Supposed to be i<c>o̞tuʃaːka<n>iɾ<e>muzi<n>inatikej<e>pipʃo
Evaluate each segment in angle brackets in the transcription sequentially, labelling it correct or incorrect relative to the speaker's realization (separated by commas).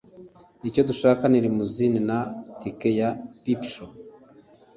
correct, correct, incorrect, correct, incorrect